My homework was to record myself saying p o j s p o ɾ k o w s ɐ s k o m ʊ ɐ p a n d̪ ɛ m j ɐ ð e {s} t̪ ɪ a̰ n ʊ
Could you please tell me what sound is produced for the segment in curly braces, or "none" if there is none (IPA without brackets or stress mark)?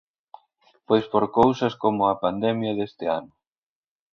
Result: s